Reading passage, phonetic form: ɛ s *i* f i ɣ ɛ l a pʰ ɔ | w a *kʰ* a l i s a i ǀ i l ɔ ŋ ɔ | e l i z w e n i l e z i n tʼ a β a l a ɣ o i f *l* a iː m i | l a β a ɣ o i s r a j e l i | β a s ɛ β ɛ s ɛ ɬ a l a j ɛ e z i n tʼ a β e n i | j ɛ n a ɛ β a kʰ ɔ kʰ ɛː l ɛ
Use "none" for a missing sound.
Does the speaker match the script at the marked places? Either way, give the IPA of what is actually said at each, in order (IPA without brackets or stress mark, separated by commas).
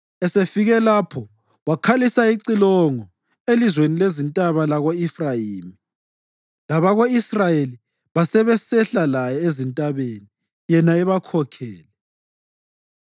e, kʰ, r